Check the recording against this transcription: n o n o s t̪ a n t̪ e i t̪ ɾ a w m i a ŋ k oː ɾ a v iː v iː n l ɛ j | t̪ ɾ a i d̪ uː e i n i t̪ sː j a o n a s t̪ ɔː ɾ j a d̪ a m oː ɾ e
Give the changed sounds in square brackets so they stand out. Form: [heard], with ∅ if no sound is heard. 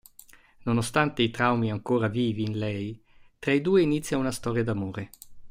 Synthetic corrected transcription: n o n o s t̪ a n t̪ e i t̪ ɾ a w m i a ŋ k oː ɾ a v iː v iː n l ɛ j | t̪ ɾ a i d̪ uː e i n i t̪ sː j a [u] n a s t̪ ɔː ɾ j a d̪ a m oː ɾ e